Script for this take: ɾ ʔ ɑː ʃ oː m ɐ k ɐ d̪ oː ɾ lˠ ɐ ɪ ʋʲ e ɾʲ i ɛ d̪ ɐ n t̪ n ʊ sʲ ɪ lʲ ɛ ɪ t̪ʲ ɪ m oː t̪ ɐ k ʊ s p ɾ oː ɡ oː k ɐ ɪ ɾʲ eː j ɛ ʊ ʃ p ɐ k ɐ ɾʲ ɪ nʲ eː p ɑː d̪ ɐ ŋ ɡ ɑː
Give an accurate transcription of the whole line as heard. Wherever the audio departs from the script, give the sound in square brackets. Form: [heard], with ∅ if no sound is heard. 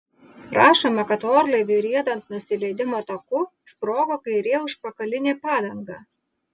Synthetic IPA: ɾ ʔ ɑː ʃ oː m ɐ k ɐ [t̪] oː ɾ lˠ ɐ ɪ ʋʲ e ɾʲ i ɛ d̪ ɐ n t̪ n ʊ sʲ ɪ lʲ ɛ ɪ [d̪ʲ] ɪ m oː t̪ ɐ k ʊ s p ɾ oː ɡ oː k ɐ ɪ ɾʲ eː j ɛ ʊ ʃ p ɐ k ɐ [lʲ] ɪ nʲ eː p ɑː d̪ ɐ ŋ ɡ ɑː

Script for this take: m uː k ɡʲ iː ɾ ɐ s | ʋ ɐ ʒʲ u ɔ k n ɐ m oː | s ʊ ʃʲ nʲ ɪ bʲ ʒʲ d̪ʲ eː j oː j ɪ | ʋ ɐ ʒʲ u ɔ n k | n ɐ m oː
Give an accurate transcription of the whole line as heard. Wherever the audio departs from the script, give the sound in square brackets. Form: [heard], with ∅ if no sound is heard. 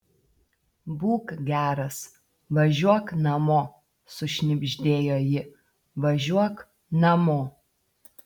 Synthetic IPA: [b] uː k ɡʲ [æː] ɾ ɐ s | ʋ ɐ ʒʲ u ɔ k n ɐ m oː | s ʊ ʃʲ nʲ ɪ bʲ ʒʲ d̪ʲ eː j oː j ɪ | ʋ ɐ ʒʲ u ɔ [∅] k | n ɐ m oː

